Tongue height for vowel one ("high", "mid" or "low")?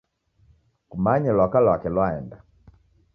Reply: high